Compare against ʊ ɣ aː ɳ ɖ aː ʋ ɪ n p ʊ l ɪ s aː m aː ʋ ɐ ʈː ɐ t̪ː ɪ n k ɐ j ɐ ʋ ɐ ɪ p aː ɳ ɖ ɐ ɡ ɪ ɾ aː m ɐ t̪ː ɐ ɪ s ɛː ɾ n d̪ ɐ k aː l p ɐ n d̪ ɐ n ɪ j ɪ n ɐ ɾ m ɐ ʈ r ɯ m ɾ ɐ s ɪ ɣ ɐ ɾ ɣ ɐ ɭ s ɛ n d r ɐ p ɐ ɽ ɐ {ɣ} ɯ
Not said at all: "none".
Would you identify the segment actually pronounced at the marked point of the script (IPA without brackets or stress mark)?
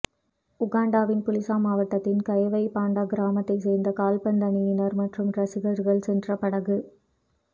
ɣ